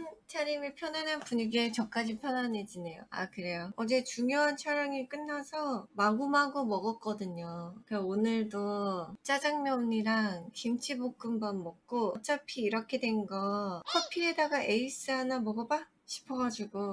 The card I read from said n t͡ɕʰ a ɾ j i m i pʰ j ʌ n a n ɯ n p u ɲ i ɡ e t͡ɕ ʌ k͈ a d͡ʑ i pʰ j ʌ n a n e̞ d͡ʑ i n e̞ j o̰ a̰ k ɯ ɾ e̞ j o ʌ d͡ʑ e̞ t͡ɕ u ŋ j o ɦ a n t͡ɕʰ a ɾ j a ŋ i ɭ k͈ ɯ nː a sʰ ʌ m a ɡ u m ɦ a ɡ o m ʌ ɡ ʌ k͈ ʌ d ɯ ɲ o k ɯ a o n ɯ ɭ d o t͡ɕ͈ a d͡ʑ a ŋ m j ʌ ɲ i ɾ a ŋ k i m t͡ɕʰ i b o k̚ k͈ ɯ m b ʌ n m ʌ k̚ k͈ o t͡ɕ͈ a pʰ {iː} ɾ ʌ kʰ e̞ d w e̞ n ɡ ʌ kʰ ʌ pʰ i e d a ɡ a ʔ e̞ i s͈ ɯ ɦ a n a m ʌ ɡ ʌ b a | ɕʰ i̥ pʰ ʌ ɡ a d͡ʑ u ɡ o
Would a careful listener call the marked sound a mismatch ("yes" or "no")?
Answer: no